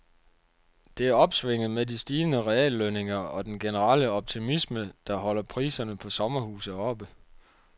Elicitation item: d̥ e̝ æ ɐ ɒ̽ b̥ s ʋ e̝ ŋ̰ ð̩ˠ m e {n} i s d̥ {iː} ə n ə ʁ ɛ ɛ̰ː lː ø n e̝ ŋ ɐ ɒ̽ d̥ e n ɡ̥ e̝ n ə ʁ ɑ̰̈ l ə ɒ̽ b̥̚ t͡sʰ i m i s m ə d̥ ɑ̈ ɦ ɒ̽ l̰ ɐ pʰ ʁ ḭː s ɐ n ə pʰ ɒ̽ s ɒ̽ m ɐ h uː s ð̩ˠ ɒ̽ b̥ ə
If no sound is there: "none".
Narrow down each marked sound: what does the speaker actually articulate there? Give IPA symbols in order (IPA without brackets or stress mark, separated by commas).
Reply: d, iː